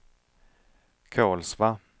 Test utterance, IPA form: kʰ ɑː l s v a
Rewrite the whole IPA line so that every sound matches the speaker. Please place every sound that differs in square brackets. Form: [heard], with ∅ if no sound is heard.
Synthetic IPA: kʰ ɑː l s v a